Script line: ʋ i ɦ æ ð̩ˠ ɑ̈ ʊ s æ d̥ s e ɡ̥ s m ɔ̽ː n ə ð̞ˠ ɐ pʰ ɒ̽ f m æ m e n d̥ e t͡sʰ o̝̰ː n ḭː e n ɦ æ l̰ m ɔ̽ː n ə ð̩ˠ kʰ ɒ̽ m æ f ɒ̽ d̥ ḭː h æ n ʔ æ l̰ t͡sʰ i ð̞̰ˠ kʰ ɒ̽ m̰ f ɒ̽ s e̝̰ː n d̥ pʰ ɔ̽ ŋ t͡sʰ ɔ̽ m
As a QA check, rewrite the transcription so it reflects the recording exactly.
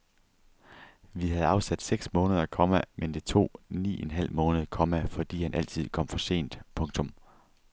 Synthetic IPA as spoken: ʋ i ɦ æ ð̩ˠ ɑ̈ ʊ s æ d̥ s e ɡ̥ s m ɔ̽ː n ə ð̞ˠ ɐ kʰ ɒ̽ m æ m e n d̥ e t͡sʰ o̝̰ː n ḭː e n ɦ æ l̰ m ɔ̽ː n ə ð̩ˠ kʰ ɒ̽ m æ f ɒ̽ d̥ ḭː h æ n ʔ æ l̰ t͡sʰ i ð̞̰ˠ kʰ ɒ̽ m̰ f ɒ̽ s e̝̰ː n d̥ pʰ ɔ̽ ŋ t͡sʰ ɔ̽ m